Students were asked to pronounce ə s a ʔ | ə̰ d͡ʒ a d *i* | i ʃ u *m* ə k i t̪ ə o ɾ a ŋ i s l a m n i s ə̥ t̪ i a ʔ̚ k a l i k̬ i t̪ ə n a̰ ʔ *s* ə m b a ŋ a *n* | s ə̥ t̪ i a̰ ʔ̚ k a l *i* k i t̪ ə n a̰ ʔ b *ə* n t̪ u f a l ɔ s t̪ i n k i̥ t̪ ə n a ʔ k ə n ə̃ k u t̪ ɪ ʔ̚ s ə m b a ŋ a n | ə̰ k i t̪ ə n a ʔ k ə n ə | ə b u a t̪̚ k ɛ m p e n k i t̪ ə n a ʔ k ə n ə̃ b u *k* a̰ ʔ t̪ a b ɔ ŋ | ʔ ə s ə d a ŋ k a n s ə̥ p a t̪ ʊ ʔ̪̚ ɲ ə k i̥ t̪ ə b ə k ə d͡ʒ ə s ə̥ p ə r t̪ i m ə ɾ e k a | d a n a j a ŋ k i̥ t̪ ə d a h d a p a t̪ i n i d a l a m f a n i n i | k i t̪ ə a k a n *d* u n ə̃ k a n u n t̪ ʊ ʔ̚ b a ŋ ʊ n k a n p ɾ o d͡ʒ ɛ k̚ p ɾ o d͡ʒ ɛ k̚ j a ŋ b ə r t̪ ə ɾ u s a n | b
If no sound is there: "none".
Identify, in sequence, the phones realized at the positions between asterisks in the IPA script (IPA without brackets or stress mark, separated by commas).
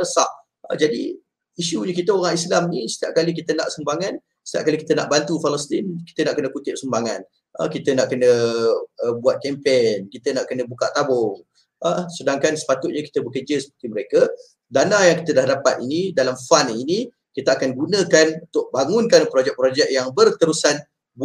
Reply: i, ɲ, s, n, i, a, k, ɡ